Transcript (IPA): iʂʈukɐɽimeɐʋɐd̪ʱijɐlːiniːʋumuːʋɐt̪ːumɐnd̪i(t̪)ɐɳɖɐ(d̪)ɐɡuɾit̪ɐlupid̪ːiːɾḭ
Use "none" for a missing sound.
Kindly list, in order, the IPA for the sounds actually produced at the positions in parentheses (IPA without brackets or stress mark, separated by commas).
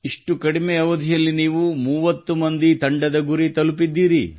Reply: t̪, d̪